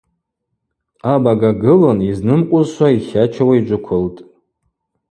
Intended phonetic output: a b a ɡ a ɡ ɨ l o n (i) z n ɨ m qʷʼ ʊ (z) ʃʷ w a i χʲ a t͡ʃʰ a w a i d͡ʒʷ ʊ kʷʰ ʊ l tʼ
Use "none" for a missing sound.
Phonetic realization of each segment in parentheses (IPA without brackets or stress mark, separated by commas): i, z